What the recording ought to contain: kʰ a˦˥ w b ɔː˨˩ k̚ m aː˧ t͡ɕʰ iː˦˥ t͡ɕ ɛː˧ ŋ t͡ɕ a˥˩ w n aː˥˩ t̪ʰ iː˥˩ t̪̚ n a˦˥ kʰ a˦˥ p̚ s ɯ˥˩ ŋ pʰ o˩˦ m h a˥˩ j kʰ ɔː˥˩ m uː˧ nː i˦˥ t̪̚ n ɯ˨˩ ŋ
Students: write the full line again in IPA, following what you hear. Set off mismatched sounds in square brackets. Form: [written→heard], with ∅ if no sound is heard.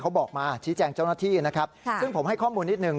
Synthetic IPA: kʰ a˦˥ w b ɔː˨˩ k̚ m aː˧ t͡ɕʰ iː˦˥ t͡ɕ ɛː˧ ŋ t͡ɕ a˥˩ w n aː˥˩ t̪ʰ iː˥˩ [t̪̚→∅] n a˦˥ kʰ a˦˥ p̚ s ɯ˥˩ ŋ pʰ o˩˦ m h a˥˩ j kʰ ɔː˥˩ m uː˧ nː i˦˥ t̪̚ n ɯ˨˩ ŋ

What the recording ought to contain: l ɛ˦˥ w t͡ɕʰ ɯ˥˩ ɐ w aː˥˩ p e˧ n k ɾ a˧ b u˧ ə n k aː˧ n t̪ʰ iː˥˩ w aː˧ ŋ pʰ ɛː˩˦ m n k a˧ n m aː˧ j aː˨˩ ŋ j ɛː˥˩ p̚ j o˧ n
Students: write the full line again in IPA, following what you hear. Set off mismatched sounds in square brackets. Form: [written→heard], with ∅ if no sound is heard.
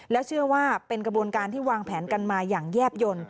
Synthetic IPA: l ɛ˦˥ w t͡ɕʰ ɯ˥˩ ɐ w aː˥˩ p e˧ n k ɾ a˧ b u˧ ə n k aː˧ n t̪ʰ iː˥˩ w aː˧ ŋ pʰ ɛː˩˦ [m→∅] n k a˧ n m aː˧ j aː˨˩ ŋ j ɛː˥˩ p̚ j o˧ n

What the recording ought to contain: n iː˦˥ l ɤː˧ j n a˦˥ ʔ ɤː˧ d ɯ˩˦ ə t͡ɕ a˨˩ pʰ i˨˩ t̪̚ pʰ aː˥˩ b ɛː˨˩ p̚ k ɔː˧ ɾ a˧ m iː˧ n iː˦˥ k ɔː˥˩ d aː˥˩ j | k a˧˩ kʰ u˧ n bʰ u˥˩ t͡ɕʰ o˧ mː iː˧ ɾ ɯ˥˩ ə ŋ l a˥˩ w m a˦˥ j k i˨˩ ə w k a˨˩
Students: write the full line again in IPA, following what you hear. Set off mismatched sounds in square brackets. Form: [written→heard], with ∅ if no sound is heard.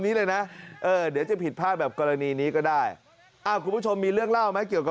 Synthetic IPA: n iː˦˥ l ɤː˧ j n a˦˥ ʔ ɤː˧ d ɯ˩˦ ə t͡ɕ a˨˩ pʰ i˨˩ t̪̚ pʰ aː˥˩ b ɛː˨˩ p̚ k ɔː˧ ɾ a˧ [m→n] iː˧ n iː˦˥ k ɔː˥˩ d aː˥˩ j | [k→ʔ] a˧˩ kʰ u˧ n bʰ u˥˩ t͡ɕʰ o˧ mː iː˧ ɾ ɯ˥˩ ə ŋ l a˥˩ w m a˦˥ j k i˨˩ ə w k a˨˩

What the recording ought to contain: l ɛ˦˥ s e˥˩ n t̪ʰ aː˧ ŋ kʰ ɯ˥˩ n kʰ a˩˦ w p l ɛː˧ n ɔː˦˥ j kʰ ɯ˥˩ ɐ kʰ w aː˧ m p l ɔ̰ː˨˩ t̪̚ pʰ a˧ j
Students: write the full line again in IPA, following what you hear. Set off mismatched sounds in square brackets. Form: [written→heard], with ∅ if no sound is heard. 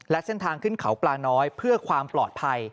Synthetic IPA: l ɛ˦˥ s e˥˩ n t̪ʰ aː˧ ŋ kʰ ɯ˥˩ n kʰ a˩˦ w p l [ɛː˧→aː˧] n ɔː˦˥ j [kʰ→pʰ] ɯ˥˩ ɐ kʰ w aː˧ m p l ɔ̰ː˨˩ t̪̚ pʰ a˧ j

